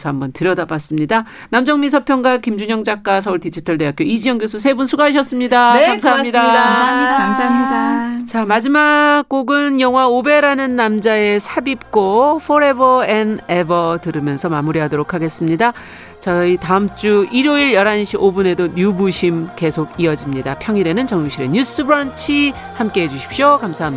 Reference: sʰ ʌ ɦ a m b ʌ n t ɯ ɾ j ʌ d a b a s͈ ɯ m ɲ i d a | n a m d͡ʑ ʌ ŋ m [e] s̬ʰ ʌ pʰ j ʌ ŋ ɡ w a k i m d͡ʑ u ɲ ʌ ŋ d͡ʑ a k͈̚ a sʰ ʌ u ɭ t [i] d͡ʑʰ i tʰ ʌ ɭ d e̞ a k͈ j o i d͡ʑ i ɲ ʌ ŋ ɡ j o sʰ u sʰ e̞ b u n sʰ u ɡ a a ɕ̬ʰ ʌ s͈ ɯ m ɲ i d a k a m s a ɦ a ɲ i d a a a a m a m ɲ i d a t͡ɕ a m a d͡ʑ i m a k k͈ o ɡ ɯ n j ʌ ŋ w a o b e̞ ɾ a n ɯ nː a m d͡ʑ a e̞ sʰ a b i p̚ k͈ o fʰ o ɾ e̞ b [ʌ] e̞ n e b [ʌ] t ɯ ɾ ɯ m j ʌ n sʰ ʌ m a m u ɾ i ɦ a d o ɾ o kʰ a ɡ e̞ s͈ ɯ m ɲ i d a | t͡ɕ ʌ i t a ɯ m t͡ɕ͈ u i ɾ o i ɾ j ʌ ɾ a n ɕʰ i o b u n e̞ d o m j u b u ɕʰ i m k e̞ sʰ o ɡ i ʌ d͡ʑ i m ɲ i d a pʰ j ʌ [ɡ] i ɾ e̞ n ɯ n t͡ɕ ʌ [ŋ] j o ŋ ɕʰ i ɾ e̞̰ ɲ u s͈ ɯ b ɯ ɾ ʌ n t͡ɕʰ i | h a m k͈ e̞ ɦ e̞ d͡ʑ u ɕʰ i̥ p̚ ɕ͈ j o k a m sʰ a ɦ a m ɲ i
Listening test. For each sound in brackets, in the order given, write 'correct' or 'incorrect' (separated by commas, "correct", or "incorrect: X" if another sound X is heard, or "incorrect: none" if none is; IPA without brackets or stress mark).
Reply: incorrect: i, correct, correct, correct, incorrect: ŋ, correct